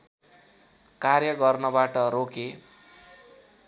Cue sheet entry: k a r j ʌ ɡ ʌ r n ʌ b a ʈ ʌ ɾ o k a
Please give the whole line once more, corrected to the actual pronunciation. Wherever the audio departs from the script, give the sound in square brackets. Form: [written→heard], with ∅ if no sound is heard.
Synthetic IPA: k a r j ʌ ɡ ʌ r n ʌ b a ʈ ʌ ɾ o k [a→e]